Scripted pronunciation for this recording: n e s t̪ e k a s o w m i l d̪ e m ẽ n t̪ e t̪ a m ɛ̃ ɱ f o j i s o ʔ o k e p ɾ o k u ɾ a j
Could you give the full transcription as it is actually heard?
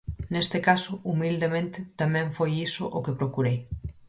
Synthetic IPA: n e s t̪ e k a s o u m i l d̪ e m ẽ n t̪ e t̪ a m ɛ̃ ɱ f o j i s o ʔ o k e p ɾ o k u ɾ e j